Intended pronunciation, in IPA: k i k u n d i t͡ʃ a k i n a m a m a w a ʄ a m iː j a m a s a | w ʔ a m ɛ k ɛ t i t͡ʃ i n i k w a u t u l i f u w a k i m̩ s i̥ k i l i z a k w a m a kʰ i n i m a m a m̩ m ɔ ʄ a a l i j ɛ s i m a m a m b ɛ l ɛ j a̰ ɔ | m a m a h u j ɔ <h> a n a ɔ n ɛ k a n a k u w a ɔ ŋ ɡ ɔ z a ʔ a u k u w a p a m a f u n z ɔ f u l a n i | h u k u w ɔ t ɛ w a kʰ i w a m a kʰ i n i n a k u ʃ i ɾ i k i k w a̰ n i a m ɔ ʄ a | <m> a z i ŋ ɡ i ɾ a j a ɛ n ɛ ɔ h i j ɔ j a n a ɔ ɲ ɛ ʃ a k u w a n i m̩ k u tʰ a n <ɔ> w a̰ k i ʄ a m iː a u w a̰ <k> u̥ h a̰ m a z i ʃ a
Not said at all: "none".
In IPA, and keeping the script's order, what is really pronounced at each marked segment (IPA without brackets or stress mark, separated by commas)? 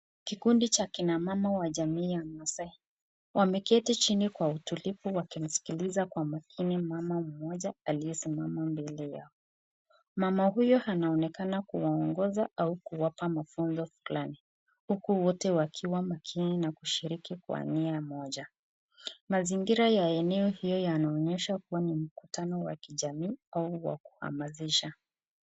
h, m, ɔ, k